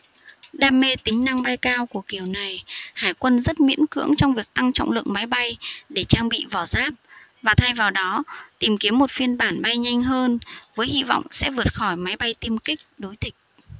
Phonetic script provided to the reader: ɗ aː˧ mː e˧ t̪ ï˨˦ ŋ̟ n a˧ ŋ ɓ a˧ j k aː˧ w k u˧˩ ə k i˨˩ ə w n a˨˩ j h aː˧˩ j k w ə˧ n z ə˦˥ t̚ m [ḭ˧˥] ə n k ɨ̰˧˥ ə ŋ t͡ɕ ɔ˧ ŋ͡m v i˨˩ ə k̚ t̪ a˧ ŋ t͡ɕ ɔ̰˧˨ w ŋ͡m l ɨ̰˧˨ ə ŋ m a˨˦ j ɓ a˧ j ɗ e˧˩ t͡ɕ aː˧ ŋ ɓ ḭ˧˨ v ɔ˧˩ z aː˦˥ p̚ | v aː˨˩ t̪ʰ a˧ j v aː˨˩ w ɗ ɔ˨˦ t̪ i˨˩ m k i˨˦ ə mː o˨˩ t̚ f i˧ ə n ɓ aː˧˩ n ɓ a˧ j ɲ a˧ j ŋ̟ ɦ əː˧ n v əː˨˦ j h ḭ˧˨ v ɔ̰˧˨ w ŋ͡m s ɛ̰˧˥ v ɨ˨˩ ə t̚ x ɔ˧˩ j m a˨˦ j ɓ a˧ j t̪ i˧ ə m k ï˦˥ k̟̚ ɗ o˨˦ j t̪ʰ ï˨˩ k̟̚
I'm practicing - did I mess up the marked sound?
no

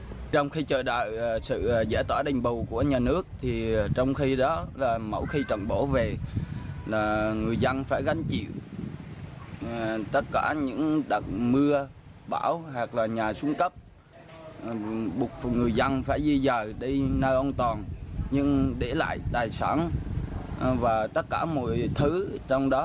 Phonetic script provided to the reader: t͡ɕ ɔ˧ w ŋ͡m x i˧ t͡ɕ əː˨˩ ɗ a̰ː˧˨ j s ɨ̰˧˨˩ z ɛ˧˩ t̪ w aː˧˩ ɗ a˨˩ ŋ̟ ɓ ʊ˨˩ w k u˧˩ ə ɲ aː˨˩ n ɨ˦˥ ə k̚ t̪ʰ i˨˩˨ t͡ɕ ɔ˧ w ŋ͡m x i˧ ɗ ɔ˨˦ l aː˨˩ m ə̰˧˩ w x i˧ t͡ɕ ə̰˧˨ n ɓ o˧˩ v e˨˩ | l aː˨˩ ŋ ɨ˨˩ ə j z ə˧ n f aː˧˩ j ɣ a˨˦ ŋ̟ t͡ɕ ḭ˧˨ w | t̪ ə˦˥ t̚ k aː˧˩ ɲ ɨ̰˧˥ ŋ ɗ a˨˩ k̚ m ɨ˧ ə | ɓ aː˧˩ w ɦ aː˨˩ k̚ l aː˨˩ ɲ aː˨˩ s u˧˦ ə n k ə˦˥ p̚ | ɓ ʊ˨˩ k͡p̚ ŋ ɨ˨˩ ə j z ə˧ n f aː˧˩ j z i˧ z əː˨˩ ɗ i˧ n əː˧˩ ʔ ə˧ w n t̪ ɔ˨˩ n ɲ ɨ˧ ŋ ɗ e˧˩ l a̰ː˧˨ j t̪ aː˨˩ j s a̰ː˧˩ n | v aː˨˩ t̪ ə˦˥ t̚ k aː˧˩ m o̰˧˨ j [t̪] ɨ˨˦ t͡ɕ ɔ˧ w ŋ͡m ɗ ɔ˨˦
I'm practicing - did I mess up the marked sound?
yes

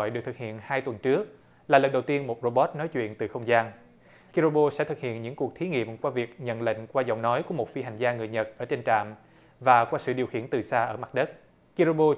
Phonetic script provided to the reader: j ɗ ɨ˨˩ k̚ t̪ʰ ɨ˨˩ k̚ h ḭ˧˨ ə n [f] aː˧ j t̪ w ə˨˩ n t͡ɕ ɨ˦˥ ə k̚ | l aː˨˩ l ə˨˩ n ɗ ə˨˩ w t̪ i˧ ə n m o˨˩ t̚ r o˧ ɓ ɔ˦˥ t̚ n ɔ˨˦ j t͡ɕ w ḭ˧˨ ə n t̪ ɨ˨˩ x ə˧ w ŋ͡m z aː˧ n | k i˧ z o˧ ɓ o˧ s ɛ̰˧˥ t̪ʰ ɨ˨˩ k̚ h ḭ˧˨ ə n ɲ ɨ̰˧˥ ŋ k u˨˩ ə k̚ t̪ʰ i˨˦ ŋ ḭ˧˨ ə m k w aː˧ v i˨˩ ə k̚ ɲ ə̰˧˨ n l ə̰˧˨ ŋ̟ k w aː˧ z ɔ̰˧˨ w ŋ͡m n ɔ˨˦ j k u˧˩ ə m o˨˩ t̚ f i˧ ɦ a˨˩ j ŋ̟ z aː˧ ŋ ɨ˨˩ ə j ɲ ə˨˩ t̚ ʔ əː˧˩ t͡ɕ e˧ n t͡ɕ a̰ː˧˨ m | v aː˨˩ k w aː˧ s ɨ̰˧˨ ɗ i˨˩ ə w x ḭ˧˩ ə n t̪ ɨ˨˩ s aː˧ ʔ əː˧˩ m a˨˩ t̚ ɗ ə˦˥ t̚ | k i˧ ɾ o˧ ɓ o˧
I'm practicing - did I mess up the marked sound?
yes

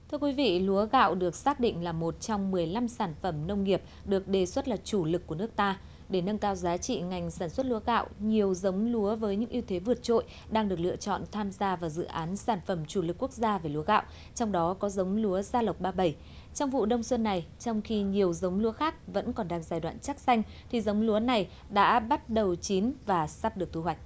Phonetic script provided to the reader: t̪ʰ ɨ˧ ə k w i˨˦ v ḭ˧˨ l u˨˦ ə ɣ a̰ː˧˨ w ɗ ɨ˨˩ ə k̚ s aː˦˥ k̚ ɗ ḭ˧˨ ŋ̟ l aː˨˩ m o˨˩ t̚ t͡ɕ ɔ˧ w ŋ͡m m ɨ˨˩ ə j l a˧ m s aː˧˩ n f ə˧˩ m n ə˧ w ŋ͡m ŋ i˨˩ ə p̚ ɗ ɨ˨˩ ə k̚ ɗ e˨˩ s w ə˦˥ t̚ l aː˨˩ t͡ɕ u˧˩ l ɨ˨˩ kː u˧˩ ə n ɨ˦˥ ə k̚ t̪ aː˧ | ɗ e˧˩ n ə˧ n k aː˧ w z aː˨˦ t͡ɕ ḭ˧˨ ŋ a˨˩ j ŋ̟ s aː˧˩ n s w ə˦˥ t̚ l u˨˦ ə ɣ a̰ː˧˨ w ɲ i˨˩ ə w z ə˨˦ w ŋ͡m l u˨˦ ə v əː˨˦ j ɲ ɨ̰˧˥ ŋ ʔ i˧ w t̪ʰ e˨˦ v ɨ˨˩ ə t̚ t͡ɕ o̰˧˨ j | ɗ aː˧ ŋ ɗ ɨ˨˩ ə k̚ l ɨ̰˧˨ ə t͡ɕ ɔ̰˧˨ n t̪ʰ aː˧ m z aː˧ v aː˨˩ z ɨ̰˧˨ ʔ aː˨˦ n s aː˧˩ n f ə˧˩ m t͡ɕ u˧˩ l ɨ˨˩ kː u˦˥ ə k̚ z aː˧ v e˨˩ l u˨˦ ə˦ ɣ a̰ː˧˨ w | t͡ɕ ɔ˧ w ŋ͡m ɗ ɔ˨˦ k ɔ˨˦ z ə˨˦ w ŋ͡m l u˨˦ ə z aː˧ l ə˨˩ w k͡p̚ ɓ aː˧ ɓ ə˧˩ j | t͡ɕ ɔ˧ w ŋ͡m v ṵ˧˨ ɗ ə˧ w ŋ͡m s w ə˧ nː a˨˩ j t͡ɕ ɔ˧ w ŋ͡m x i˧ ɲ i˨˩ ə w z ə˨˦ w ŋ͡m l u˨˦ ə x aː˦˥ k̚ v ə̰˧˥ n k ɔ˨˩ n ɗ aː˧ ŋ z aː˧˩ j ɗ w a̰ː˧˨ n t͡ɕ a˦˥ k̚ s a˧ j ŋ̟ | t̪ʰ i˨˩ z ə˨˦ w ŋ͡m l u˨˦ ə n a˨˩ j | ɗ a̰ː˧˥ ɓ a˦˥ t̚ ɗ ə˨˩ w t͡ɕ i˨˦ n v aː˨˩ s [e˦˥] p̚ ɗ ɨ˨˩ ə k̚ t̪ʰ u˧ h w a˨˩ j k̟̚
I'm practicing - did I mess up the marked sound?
yes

